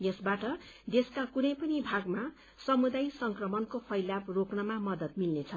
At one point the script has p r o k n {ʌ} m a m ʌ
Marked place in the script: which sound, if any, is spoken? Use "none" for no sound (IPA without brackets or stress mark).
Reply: ʌ